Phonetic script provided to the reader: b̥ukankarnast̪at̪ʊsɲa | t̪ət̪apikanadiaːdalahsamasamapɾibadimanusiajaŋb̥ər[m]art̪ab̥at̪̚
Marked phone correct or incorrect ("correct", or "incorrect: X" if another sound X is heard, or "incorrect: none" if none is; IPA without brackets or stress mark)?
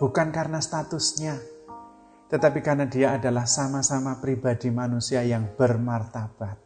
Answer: correct